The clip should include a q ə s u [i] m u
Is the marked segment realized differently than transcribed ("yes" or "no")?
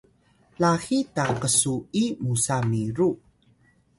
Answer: no